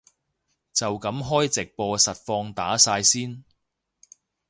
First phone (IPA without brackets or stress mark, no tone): t͡s